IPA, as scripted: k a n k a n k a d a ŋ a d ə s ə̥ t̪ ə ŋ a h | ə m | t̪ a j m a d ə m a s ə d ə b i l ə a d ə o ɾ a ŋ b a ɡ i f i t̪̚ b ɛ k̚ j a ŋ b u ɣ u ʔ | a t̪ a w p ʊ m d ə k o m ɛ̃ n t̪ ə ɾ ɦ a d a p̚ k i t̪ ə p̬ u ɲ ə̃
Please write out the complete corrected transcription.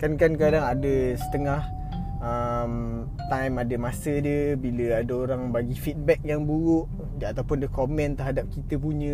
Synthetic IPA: k a n k a n k a d a ŋ a d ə s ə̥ t̪ ə ŋ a h | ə m | t̪ a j m a d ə m a s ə d ə b i l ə a d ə o ɾ a ŋ b a ɡ i f i t̪̚ b ɛ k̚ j a ŋ b u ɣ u ʔ | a t̪ a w p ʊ n d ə k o m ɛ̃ n t̪ ə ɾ ɦ a d a p̚ k i t̪ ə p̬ u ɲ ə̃